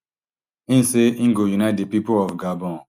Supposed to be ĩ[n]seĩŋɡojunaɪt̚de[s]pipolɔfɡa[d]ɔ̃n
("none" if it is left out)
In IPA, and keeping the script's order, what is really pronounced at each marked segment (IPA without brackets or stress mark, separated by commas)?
n, none, b